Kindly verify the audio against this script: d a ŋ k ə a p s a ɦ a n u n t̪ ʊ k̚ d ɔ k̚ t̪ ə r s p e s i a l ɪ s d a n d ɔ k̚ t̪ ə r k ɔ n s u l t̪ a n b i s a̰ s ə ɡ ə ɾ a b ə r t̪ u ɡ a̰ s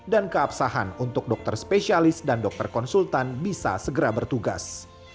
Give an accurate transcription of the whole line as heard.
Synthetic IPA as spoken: d a n k ə a p s a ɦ a n u n t̪ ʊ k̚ d ɔ k̚ t̪ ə r s p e s i a l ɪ s d a n d ɔ k̚ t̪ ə r k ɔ n s u l t̪ a n b i s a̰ s ə ɡ ə ɾ a b ə r t̪ u ɡ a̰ s